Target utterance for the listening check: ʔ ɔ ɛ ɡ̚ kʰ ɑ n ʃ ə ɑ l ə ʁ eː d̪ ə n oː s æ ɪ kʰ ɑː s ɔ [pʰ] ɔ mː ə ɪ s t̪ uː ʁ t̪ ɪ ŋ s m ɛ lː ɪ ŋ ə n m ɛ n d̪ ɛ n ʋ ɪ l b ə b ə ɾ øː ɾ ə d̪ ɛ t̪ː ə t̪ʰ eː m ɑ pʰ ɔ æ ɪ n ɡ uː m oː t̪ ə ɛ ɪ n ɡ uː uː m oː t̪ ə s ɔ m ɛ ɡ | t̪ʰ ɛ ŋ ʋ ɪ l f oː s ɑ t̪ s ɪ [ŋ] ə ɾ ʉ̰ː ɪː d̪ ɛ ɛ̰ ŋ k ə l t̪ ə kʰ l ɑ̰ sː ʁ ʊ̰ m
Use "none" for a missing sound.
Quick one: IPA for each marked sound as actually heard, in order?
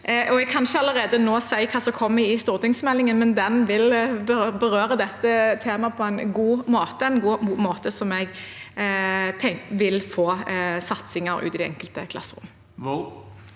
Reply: kʰ, ŋ

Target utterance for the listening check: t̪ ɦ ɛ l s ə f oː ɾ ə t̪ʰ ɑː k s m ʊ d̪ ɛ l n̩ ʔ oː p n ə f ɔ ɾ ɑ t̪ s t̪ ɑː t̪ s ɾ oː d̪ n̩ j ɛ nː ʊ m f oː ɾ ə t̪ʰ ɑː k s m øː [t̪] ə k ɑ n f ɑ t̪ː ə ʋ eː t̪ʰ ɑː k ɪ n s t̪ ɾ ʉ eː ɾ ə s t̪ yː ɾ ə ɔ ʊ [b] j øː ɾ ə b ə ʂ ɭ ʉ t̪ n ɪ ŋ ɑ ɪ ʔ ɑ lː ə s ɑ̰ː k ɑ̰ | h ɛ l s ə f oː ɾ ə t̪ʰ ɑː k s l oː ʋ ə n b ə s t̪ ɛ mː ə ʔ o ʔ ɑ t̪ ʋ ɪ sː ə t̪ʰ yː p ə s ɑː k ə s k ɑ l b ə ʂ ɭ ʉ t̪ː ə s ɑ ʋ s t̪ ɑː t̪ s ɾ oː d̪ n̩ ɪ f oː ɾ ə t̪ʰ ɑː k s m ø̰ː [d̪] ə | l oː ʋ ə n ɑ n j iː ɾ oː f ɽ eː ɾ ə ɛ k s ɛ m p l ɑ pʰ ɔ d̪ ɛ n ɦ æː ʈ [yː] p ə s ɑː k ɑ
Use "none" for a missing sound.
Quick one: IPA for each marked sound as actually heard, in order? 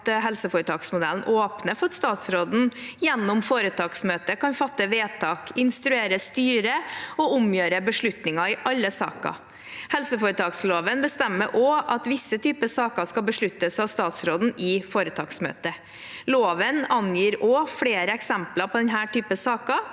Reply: t̪, m, t̪, yː

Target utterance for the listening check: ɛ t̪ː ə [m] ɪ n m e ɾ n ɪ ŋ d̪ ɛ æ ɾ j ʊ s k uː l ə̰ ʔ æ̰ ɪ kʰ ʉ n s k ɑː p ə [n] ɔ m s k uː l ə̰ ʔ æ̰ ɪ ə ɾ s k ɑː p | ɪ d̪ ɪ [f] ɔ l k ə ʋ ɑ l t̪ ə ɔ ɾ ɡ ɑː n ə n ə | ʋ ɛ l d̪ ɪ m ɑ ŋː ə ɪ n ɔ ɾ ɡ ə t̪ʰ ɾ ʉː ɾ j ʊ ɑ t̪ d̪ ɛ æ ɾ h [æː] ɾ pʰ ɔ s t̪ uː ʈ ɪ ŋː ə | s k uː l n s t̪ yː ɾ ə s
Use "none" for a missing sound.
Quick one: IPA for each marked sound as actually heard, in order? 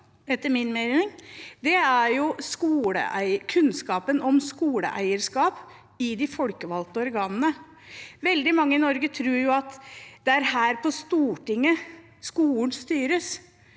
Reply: m, n, f, æː

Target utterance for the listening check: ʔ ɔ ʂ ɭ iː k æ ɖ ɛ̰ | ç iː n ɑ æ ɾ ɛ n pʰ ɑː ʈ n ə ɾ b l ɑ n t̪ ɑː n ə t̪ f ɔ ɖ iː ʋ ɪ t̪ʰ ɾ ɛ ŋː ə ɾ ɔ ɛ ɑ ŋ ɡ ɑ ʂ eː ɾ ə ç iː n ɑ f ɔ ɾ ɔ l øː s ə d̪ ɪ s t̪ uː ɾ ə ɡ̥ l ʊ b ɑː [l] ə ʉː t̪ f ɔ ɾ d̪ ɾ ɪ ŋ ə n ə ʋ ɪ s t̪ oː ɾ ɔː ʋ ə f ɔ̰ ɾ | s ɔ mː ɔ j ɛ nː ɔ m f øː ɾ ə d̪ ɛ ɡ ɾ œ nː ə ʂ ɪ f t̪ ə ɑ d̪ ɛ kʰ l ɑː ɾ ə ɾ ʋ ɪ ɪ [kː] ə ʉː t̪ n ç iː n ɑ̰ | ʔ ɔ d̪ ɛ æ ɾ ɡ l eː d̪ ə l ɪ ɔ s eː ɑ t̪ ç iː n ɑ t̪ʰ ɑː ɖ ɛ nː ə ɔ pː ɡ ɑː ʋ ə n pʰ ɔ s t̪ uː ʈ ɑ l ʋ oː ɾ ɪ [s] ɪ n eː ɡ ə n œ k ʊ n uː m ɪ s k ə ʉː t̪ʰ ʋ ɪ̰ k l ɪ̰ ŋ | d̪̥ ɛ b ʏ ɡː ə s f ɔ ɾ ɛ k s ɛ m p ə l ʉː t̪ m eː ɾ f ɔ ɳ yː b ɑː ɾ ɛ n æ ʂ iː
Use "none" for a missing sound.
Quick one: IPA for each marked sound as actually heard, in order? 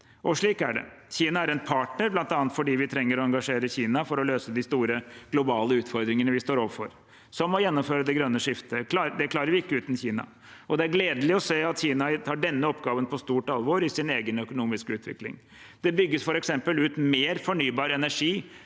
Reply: l, kː, s

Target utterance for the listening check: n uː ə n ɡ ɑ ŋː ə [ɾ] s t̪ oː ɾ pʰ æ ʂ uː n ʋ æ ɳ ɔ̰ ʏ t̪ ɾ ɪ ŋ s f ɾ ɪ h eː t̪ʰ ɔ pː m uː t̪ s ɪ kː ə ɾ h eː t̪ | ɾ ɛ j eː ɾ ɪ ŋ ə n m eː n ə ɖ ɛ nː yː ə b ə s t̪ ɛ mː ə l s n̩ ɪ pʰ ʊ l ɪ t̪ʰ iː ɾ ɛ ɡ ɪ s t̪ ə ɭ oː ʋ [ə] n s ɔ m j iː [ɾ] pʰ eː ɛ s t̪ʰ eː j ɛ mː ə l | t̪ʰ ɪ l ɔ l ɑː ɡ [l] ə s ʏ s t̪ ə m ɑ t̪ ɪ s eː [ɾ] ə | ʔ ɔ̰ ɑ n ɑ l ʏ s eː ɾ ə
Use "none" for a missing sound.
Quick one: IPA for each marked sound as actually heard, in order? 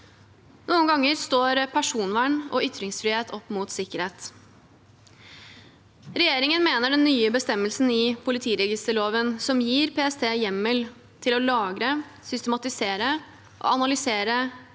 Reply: ɾ, ə, ɾ, ɾ, ɾ

